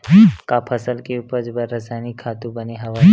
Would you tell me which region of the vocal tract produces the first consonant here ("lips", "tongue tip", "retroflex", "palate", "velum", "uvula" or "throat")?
velum